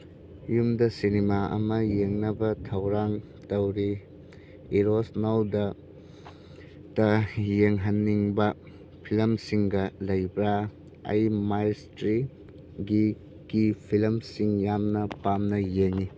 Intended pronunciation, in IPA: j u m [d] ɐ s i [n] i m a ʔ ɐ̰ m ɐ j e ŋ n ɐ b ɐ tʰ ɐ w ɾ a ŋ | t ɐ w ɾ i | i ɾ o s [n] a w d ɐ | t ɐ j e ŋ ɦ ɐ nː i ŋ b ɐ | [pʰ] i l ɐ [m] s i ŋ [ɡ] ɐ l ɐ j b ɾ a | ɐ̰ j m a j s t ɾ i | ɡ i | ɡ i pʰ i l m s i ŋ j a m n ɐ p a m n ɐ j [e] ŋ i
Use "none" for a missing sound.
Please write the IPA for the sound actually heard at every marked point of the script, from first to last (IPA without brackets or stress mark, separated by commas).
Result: d, n, n, pʰ, m, ɡ, e